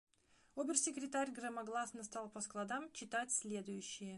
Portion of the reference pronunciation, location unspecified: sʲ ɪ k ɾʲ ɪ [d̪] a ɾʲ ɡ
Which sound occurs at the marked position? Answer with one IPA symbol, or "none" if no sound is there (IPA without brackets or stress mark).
t̪